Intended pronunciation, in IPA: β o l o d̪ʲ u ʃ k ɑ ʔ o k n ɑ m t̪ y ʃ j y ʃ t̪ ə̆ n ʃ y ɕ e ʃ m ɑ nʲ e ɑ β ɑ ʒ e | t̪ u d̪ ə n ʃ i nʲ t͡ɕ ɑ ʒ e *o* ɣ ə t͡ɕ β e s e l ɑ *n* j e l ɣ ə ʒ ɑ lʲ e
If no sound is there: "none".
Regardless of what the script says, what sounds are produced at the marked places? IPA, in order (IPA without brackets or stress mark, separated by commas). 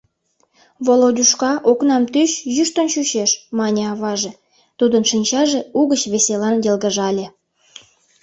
u, n